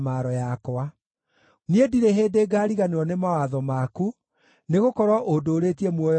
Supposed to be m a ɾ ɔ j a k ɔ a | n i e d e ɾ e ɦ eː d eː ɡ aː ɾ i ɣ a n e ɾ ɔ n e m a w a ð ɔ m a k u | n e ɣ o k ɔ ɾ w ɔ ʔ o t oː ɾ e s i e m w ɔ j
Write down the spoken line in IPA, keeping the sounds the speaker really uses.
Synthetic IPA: m a ɾ ɔ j a k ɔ a | n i e d i ɾ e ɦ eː d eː ɡ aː ɾ i ɣ a n e ɾ ɔ n e m a w a ð ɔ m a k u | n e ɣ o k ɔ ɾ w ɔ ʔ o d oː ɾ e t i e m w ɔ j

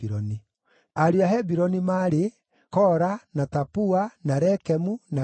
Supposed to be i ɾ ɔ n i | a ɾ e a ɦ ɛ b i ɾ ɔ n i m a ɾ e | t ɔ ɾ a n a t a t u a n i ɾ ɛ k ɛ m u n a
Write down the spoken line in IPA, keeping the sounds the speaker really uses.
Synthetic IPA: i ɾ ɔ n i | a ɾ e a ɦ ɛ b i ɾ ɔ n i m a ɾ e | k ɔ ɾ a n a t a p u a n a ɾ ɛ k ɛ m u n a

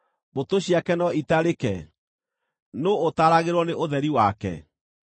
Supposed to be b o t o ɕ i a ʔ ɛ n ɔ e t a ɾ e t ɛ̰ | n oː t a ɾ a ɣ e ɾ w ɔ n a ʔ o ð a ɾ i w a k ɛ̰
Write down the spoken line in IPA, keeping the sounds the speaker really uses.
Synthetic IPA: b o t o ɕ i a k ɛ n ɔ i t a ɾ e k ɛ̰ | n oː t a ɾ a ɣ e ɾ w ɔ n e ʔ o ð ɛ ɾ i w a k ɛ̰

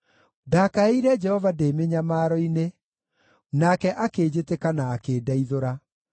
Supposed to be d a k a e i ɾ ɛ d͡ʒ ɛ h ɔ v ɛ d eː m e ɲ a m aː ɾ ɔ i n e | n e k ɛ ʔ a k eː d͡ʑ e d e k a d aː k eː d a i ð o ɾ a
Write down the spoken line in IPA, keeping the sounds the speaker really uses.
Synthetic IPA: d a k a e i ɾ ɛ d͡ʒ ɛ h ɔ v a d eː m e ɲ a m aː ɾ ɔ i n e | n a k ɛ ʔ a k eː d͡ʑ e t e k a n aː k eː d a i ð o ɾ a

